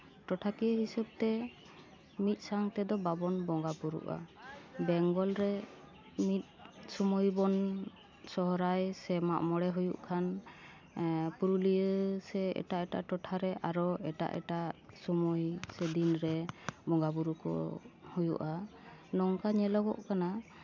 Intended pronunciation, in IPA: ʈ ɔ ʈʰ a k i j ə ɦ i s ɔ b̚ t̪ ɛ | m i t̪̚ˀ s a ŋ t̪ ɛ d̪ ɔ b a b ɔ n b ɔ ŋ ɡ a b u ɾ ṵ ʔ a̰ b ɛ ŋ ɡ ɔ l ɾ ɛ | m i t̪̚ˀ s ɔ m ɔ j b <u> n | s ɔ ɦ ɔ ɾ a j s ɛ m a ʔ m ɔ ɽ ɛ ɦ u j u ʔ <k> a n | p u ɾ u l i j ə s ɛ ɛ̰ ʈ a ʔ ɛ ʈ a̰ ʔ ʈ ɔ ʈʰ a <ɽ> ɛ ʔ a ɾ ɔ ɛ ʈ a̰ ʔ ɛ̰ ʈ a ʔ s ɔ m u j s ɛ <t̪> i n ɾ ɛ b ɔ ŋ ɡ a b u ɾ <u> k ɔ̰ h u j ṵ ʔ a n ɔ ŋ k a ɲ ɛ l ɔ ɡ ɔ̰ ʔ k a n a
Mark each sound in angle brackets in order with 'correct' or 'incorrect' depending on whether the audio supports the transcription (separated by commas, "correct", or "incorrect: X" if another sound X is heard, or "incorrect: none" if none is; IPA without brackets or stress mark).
incorrect: ɔ, incorrect: kʰ, incorrect: ɾ, incorrect: d̪, correct